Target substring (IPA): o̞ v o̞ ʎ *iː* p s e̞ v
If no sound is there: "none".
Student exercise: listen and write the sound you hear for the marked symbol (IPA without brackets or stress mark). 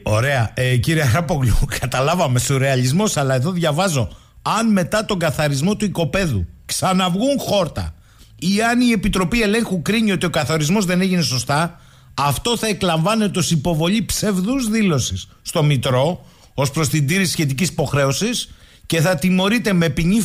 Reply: i